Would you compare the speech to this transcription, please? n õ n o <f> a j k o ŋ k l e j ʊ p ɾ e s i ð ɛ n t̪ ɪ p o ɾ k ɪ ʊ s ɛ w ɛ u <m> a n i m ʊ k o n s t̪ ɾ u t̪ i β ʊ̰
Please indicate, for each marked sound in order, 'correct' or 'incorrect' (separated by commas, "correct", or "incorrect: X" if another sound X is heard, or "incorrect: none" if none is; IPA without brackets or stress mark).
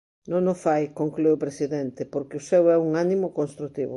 correct, incorrect: ŋ